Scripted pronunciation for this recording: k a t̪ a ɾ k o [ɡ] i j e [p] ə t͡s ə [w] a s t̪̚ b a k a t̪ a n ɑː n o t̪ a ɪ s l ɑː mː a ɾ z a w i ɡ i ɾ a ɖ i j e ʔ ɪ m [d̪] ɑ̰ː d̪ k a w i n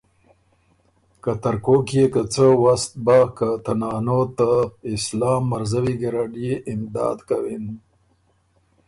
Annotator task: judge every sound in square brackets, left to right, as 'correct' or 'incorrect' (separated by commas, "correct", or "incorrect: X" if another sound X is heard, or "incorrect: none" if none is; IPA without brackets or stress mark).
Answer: incorrect: k, incorrect: k, correct, correct